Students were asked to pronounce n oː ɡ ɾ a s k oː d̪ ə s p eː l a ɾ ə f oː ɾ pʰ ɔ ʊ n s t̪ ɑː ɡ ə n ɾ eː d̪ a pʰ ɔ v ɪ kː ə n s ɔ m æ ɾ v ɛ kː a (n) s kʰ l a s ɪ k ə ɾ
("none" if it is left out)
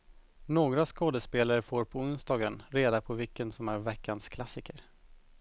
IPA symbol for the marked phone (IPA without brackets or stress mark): n